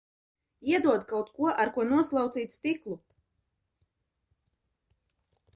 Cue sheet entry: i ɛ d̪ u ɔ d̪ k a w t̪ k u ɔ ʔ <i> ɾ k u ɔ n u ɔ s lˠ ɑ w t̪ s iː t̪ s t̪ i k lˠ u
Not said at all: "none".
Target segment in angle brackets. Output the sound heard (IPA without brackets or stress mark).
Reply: a